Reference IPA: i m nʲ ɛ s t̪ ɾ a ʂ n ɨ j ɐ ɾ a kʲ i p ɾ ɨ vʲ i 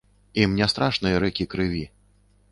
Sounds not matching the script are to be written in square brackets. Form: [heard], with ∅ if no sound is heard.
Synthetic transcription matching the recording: i m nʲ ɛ s t̪ ɾ a ʂ n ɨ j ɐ ɾ [ɛ] kʲ i [k] ɾ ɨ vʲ i